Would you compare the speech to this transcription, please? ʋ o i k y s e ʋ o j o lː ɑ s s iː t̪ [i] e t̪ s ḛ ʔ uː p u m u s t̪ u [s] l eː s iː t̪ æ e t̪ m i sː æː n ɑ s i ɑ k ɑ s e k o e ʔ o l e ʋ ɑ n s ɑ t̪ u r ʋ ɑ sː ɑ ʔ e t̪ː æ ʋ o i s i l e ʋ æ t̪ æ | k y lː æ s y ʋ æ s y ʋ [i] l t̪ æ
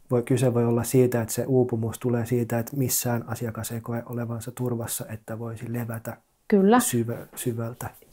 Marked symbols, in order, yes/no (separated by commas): no, no, no